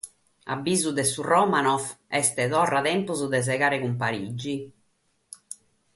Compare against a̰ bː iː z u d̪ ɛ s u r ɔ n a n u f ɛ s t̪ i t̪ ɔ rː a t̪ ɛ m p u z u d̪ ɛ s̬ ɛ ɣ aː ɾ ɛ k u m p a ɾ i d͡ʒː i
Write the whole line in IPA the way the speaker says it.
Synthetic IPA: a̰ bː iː z u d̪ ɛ s u r ɔ m a n ɔ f ɛ s t̪ ɛ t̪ ɔ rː a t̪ ɛ m p u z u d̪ ɛ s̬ ɛ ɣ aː ɾ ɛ k u m p a ɾ i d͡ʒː i